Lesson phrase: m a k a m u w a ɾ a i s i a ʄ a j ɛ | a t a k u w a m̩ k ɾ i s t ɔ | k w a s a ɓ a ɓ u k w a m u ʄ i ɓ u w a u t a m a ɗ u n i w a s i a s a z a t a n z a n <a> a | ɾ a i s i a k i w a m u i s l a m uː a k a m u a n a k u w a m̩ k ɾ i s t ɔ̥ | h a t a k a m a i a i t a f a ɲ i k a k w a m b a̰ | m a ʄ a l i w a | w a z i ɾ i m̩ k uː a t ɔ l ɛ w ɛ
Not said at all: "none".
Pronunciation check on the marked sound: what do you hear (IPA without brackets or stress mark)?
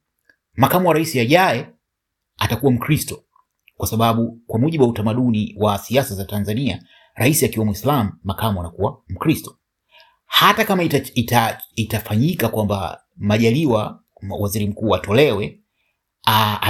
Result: i